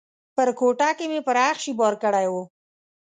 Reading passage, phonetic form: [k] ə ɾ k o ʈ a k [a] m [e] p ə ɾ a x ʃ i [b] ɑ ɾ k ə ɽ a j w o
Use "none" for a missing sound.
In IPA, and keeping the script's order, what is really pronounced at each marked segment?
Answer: p, e, e, b

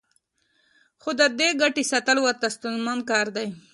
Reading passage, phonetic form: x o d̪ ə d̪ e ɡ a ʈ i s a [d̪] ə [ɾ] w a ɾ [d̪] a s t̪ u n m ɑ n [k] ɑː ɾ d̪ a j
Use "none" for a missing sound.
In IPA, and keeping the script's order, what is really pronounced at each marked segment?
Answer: t̪, l, t̪, k

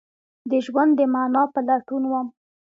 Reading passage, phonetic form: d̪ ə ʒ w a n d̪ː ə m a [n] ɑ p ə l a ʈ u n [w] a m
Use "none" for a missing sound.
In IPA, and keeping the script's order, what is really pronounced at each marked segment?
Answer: n, w

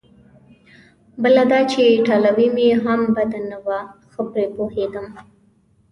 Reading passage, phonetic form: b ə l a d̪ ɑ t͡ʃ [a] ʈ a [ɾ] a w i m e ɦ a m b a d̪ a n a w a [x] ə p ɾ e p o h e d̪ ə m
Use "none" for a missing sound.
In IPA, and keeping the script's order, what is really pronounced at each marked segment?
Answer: e, l, x

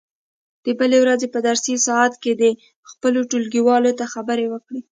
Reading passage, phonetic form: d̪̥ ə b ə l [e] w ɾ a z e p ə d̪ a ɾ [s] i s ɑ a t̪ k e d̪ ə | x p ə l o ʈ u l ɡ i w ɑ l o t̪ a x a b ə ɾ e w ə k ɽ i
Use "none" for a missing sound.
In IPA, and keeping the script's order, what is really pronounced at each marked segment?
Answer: e, s

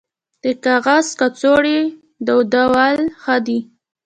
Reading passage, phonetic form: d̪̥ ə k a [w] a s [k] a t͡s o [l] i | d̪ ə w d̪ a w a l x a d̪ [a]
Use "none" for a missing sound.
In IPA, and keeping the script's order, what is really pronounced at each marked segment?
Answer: ɣ, k, ɽ, i

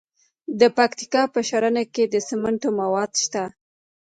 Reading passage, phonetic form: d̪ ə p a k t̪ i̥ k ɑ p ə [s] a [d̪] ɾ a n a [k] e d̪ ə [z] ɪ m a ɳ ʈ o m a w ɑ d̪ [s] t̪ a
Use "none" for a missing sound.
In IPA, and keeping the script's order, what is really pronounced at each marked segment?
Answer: ʃ, none, k, s, ʃ

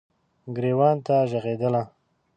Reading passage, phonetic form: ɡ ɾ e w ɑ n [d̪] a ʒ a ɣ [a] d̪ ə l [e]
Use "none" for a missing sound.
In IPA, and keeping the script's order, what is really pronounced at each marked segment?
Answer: t̪, e, a

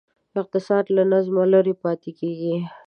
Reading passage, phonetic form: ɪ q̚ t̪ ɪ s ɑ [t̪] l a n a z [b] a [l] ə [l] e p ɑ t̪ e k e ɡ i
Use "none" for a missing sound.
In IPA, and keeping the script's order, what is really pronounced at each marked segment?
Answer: d̪, m, l, ɾ

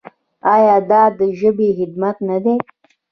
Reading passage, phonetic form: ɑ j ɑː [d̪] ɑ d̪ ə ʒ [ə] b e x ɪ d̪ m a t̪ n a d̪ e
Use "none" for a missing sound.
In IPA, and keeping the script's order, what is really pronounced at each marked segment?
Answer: d̪, ə

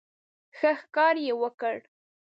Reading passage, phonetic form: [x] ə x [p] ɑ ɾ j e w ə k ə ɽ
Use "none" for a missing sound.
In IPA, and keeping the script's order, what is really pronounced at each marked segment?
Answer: x, k

